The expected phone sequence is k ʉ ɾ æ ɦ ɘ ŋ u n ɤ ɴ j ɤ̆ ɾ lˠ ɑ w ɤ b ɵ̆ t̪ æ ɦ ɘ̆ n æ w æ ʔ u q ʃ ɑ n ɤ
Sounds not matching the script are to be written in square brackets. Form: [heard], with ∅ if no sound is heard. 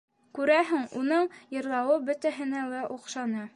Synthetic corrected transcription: k ʉ ɾ æ ɦ ɘ ŋ u n ɤ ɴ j ɤ̆ ɾ lˠ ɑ w ɤ b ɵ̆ t̪ æ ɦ ɘ̆ n æ w æ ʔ u q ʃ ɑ n ɤ